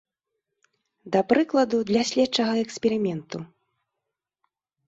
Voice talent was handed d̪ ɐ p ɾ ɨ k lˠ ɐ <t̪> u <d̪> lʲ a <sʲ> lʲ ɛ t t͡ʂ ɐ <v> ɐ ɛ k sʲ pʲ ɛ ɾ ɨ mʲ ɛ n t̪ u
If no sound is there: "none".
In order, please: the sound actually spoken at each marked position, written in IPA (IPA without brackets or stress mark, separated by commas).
d̪, d̪, sʲ, ɣ